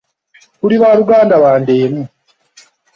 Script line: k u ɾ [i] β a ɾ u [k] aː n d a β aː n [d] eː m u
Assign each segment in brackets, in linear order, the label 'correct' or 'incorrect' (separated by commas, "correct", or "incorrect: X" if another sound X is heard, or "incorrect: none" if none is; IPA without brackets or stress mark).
correct, incorrect: ɡ, correct